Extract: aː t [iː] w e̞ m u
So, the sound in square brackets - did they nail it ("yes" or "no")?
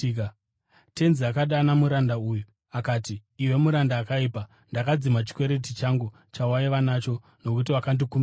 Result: yes